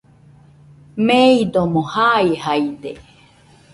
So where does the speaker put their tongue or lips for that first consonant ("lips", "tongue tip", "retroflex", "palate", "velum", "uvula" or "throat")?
lips